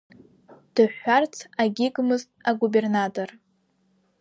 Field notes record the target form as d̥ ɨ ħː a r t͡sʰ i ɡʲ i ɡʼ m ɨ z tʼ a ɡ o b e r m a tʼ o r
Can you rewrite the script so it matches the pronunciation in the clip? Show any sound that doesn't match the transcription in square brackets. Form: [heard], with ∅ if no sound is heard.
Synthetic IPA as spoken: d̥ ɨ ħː a r t͡sʰ [a] ɡʲ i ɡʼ m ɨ z tʼ a ɡ [u] b e r [n] a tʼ o r